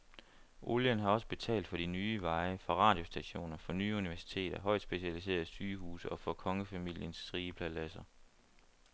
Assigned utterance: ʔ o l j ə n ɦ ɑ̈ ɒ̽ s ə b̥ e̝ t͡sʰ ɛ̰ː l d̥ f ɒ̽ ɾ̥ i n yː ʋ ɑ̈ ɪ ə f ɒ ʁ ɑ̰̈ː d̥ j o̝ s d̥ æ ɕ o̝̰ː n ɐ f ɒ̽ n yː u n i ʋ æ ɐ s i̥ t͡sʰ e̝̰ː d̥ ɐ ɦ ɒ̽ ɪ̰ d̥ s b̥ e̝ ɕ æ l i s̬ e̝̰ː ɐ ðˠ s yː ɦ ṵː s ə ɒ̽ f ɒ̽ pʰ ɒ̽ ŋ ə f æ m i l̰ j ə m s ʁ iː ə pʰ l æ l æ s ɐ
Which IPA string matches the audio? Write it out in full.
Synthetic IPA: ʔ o l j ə n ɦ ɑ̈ ɒ̽ s ə b̥ e̝ t͡sʰ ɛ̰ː l d̥ f ɒ̽ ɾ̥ i n yː ʋ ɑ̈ ɪ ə f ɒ ʁ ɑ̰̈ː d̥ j o̝ s d̥ æ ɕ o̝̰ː n ɐ f ɒ̽ n yː u n i ʋ æ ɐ s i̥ t͡sʰ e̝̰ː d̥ ɐ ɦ ɒ̽ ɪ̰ d̥ s b̥ e̝ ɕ æ l i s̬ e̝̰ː ɐ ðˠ s yː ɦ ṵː s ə ɒ̽ f ɒ̽ kʰ ɒ̽ ŋ ə f æ m i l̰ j ə n s ʁ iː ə pʰ l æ l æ s ɐ